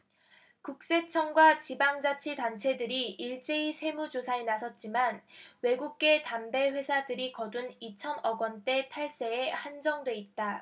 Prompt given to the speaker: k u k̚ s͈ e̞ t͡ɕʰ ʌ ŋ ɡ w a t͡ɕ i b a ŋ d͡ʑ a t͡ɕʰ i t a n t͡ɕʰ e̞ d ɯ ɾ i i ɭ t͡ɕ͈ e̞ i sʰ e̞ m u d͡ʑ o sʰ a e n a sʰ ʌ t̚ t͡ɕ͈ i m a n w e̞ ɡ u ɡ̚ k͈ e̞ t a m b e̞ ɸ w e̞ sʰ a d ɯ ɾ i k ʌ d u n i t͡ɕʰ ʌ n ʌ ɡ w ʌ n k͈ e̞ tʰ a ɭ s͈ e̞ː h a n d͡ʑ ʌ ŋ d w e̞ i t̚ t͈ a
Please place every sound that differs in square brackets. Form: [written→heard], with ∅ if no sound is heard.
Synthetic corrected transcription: k u k̚ s͈ e̞ t͡ɕʰ ʌ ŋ ɡ w a t͡ɕ i b a ŋ d͡ʑ a t͡ɕʰ i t a n t͡ɕʰ e̞ d ɯ ɾ i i ɭ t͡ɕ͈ e̞ i sʰ e̞ m u d͡ʑ o sʰ a e n a sʰ ʌ t̚ t͡ɕ͈ i m a n w e̞ ɡ u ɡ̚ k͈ e̞ t a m b e̞ ɸ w e̞ sʰ a d ɯ ɾ i k ʌ d u n i t͡ɕʰ ʌ n ʌ ɡ w ʌ n [k͈→t͈] e̞ tʰ a ɭ s͈ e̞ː h a n d͡ʑ ʌ ŋ d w e̞ i t̚ t͈ a